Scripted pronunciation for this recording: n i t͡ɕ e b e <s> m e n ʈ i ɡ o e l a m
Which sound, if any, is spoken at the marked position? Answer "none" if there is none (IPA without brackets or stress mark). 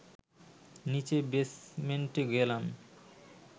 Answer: s